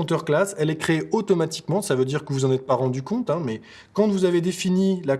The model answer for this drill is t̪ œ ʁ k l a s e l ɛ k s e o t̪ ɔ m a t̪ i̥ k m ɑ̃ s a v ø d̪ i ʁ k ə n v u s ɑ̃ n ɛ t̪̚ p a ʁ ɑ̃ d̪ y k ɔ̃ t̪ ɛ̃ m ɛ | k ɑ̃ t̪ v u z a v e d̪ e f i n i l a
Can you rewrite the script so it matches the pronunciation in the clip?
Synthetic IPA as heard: t̪ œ ʁ k l a s ɛ l ɛ k χ e o t̪ ɔ m a t̪ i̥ k m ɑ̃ s a v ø d̪ i ʁ k ə v u z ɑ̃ n ɛ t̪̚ p a ʁ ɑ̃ d̪ y k ɔ̃ t̪ ɛ̃ m ɛ | k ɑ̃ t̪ v u z a v e d̪ e f i n i l a